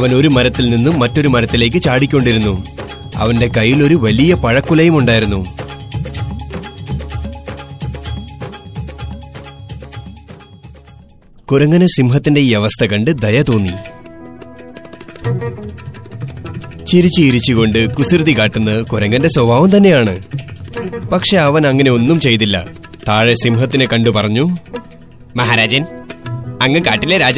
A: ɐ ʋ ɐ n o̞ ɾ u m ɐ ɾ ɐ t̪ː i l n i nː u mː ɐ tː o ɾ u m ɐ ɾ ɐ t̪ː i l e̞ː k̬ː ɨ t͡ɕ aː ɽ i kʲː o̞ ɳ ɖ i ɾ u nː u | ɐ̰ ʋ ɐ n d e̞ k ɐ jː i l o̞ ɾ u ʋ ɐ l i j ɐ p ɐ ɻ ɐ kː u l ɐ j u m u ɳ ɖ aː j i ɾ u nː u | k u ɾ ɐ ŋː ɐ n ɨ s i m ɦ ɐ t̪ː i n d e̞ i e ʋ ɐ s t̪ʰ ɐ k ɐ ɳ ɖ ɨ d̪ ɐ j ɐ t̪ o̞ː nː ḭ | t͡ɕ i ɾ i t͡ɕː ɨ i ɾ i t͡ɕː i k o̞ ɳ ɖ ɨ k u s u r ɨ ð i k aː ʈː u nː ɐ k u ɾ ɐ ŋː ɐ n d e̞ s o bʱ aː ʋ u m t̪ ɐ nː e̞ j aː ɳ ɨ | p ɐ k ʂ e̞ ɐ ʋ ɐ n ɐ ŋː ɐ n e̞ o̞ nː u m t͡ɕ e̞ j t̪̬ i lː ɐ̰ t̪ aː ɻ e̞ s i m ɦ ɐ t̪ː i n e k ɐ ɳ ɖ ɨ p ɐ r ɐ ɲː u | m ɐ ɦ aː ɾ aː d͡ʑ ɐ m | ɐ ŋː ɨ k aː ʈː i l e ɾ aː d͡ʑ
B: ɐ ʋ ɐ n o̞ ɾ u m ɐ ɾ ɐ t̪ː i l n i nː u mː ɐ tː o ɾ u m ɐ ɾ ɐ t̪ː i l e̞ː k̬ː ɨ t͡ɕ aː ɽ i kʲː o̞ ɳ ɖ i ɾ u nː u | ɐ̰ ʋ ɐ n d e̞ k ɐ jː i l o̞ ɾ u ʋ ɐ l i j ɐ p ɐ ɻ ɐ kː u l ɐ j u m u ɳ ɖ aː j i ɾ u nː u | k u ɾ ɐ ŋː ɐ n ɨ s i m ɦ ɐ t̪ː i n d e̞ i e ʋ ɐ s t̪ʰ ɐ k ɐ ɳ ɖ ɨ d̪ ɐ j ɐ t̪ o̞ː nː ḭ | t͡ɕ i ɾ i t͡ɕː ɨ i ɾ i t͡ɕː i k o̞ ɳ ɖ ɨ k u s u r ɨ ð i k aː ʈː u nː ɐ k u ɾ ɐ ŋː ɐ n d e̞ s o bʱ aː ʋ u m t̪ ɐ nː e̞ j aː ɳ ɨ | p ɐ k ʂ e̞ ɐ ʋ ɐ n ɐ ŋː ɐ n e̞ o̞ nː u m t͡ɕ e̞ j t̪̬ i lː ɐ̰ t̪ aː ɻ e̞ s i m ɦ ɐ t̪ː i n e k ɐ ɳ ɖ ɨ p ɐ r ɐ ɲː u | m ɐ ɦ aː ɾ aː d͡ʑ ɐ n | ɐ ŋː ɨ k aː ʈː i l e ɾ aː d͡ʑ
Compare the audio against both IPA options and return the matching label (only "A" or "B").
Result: B